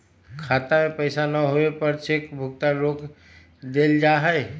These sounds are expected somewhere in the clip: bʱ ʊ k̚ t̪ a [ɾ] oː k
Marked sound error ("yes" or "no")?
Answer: no